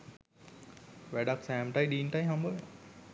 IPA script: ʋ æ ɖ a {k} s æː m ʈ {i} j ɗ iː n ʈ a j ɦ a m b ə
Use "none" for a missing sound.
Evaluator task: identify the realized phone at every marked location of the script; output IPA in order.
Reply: k, a

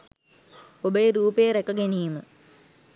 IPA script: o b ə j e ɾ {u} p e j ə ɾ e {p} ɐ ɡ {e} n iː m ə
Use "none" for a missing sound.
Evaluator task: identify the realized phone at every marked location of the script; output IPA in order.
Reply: uː, k, e

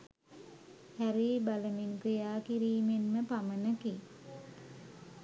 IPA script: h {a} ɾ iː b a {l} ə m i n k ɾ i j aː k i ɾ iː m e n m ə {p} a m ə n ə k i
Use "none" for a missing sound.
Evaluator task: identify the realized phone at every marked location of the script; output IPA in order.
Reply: æ, l, p

